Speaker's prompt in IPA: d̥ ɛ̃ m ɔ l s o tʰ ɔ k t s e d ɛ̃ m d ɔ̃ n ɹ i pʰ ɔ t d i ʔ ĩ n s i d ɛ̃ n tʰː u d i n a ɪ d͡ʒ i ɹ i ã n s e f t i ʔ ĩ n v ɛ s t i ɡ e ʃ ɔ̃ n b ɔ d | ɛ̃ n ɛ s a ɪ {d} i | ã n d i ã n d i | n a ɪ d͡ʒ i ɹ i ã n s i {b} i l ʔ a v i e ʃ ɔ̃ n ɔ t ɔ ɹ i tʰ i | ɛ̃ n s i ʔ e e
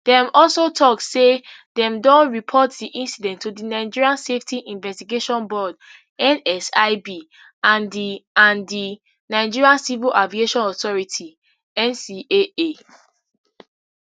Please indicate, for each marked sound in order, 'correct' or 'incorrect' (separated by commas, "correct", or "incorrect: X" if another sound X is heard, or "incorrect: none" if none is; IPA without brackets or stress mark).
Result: incorrect: b, incorrect: v